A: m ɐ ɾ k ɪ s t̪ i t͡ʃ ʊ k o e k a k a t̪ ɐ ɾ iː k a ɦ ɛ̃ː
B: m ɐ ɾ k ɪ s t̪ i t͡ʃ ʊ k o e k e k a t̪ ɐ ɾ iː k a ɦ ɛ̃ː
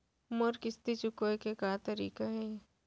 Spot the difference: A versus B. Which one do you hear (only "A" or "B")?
B